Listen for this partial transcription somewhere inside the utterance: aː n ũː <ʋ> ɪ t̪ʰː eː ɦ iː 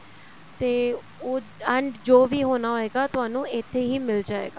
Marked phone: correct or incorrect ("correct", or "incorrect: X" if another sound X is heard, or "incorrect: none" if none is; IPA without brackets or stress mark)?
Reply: incorrect: none